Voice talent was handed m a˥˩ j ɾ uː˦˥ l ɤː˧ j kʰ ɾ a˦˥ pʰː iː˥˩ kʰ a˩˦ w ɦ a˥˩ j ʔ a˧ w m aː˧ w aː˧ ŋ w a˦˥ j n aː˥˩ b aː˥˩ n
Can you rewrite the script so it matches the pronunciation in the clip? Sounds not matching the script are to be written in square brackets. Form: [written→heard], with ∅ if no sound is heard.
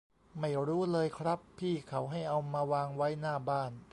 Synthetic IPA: m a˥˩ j ɾ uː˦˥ l ɤː˧ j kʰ ɾ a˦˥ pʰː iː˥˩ kʰ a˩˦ w ɦ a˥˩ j ʔ a˧ w m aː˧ w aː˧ ŋ w a˦˥ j n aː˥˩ b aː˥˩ n